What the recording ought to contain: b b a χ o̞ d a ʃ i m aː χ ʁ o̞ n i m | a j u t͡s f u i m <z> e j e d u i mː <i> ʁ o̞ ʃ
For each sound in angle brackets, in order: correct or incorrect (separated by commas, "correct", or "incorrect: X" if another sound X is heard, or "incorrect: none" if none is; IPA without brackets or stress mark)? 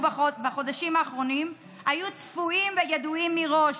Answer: incorrect: v, correct